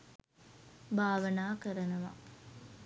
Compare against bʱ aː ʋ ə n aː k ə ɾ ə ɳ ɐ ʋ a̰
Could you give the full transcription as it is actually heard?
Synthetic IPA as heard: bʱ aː ʋ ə n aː k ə ɾ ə n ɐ ʋ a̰